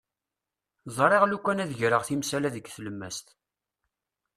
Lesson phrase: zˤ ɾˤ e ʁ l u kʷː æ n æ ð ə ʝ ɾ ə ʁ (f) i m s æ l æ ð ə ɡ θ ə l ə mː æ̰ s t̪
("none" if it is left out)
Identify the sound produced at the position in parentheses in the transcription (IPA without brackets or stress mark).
θ